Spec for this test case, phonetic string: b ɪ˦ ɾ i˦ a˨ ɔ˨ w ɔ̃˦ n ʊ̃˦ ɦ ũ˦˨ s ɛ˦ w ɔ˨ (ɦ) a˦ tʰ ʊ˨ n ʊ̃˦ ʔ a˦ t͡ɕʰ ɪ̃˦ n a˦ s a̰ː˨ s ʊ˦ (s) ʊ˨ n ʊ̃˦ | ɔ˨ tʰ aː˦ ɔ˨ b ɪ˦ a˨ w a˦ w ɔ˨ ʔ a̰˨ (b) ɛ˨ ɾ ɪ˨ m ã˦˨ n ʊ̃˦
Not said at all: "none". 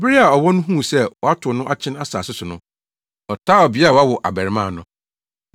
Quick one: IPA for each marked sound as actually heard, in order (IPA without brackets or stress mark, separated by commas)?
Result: none, s, b